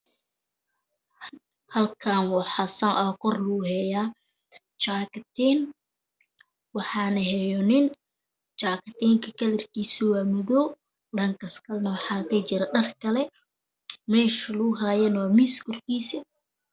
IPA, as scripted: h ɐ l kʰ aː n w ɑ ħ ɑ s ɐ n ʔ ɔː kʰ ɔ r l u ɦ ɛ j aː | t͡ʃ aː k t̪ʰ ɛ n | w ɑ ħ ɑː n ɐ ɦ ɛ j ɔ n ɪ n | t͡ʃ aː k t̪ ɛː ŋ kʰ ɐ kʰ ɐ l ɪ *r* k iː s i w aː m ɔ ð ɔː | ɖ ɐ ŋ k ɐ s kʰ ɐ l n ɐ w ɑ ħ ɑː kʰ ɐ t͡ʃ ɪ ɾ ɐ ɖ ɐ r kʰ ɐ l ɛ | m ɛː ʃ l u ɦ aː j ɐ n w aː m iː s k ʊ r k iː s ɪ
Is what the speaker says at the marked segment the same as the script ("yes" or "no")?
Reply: yes